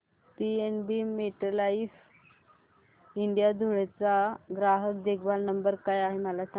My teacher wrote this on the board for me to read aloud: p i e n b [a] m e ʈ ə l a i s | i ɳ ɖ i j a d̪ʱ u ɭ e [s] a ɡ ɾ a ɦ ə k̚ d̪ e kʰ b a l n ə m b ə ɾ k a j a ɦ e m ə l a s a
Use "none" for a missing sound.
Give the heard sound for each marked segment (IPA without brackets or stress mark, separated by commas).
i, t͡s